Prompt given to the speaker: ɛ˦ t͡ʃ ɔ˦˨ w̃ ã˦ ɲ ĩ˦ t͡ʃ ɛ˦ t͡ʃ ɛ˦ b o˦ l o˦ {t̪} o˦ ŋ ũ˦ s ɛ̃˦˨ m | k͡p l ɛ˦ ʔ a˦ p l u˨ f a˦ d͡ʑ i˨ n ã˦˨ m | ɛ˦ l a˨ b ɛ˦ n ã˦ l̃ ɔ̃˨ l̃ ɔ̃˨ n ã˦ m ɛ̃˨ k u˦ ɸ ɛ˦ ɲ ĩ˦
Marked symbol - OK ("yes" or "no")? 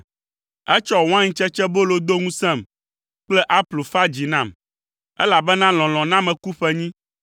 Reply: no